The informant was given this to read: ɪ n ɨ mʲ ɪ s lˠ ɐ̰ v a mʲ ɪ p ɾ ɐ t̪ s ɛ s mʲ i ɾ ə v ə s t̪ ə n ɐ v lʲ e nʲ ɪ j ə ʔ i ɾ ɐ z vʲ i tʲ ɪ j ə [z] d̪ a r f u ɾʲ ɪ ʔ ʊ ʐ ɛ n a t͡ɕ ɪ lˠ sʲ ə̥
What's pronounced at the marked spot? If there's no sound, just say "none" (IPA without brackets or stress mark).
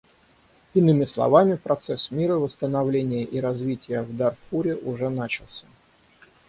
v